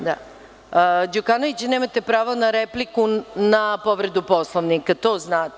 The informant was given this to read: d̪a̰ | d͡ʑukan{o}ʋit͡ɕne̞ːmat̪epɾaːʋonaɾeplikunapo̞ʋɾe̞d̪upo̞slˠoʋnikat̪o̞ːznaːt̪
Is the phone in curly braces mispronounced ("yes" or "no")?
no